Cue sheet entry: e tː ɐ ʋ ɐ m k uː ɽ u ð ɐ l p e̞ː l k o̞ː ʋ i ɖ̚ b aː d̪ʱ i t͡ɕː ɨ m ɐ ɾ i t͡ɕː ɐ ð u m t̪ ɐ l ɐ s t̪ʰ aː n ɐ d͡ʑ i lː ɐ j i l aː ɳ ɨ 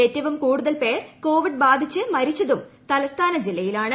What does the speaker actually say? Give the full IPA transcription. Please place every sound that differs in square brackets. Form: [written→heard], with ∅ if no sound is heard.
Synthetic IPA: e tː ɐ ʋ ɐ m k uː ɽ u ð ɐ l p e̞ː [l→r] k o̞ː ʋ i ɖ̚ b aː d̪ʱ i t͡ɕː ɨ m ɐ ɾ i t͡ɕː ɐ ð u m t̪ ɐ l ɐ s t̪ʰ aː n ɐ d͡ʑ i lː ɐ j i l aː ɳ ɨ

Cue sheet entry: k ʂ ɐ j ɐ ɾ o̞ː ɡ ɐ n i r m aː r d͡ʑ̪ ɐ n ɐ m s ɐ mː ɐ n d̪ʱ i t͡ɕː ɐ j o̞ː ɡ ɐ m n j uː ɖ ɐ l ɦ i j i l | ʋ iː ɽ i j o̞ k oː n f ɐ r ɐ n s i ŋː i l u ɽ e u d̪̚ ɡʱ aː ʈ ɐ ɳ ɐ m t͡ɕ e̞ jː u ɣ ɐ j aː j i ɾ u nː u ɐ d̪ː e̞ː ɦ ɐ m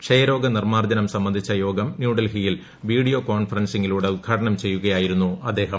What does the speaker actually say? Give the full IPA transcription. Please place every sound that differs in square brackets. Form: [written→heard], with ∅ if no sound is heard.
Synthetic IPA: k ʂ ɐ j ɐ ɾ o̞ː ɡ ɐ n i r m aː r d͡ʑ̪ ɐ n ɐ m s ɐ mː ɐ n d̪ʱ i t͡ɕː ɐ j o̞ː ɡ ɐ m n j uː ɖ ɐ l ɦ i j i l | ʋ iː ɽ i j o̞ k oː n f ɐ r ɐ n s i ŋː i l [u→uː] ɽ e u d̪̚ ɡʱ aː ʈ ɐ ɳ ɐ m t͡ɕ e̞ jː u ɣ ɐ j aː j i ɾ u nː u ɐ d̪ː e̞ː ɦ ɐ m

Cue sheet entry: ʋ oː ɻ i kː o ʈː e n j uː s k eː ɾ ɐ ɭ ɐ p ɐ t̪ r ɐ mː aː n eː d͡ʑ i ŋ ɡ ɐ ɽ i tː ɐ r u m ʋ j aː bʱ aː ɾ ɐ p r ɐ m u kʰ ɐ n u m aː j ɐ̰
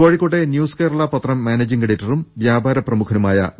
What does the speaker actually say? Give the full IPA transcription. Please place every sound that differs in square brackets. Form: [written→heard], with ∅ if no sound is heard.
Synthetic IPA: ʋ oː ɻ i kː o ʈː e n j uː s k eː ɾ ɐ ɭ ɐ p ɐ t̪ r ɐ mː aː n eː d͡ʑ i ŋ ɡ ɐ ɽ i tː ɐ r u m ʋ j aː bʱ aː ɾ ɐ p r ɐ m u kʰ ɐ n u m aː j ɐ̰

